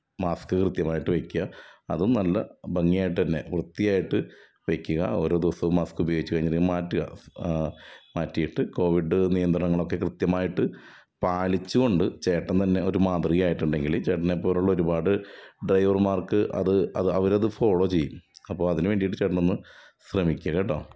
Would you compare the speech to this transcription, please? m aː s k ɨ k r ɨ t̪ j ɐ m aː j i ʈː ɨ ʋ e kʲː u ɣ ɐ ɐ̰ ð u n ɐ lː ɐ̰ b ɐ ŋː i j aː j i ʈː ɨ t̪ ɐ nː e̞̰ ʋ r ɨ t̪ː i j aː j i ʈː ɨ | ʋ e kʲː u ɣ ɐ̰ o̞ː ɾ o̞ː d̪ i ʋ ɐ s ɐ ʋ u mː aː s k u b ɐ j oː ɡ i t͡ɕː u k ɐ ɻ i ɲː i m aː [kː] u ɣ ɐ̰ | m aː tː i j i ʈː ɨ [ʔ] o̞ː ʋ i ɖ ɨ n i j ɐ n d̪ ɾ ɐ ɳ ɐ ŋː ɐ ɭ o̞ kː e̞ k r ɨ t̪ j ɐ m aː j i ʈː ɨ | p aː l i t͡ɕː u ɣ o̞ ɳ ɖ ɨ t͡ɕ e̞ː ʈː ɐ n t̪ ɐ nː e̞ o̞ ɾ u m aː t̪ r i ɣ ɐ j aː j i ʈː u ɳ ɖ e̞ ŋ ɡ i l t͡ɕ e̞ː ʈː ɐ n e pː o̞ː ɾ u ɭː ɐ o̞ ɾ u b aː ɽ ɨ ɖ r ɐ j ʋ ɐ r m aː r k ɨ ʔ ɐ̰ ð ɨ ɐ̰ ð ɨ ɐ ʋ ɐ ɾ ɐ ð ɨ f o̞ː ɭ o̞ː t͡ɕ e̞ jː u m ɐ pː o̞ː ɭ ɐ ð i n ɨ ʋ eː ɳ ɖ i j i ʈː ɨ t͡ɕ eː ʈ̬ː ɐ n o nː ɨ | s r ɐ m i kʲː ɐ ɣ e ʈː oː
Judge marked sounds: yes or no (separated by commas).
no, no